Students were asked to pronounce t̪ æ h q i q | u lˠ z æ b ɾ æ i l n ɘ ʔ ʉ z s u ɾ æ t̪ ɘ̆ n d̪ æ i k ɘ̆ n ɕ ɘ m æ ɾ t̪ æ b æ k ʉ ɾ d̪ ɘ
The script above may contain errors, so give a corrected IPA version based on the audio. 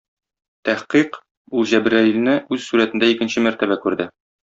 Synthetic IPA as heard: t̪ æ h q i q | u lˠ ʑ æ b ɾ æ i l n ɘ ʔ ʉ z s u ɾ æ t̪ ɘ̆ n d̪ æ i k ɘ̆ n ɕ ɘ m æ ɾ t̪ æ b æ k ʉ ɾ d̪ ɘ